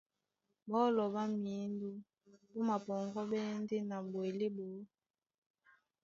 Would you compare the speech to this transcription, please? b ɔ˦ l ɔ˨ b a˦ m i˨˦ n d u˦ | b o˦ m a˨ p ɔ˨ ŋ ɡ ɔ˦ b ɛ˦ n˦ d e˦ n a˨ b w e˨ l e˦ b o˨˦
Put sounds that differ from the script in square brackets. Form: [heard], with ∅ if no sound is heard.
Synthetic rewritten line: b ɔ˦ l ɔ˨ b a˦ m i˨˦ n d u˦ | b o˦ m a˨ p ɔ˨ ŋ ɡ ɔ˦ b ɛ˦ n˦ d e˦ n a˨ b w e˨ l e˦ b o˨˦